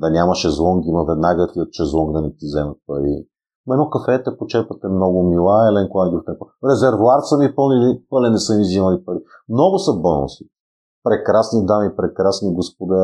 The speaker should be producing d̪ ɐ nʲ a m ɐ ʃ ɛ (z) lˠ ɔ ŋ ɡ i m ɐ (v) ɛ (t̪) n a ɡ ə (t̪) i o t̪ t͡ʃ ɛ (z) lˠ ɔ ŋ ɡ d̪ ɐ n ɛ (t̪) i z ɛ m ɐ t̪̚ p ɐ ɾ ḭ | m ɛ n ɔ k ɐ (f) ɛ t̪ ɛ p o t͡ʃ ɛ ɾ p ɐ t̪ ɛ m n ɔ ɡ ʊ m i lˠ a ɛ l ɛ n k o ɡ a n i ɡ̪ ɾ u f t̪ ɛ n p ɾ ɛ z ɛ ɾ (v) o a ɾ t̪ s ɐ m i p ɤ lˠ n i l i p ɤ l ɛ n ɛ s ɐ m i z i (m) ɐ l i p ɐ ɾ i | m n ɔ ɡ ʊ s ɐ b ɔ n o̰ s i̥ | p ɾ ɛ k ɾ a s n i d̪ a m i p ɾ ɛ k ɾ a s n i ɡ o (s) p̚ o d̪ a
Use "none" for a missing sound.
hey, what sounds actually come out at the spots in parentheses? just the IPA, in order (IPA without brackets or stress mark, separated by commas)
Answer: z, v, d̪, t̪, z, t̪, f, v, m, s